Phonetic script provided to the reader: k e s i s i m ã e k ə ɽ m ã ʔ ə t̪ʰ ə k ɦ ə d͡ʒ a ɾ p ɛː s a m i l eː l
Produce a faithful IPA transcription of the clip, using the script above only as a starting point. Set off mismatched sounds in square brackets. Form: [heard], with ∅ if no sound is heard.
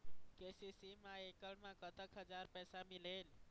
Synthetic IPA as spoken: k e s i s i m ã e k ə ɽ m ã [k] ə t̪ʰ ə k ɦ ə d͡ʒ a ɾ p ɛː s a m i l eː l